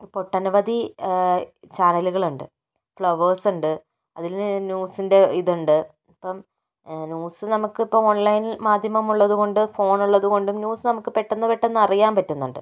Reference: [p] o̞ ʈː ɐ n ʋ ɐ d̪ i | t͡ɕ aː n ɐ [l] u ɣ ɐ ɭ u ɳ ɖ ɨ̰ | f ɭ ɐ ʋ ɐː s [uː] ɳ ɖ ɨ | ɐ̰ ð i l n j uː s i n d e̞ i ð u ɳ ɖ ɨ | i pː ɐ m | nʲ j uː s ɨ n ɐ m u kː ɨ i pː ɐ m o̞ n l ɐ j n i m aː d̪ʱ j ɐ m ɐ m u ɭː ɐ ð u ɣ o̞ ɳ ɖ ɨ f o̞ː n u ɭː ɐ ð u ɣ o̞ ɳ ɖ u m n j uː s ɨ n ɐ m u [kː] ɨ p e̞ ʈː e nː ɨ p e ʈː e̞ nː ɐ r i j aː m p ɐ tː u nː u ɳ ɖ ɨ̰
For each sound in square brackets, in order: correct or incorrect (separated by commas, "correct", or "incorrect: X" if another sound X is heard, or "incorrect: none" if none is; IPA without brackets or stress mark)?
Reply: correct, correct, incorrect: u, correct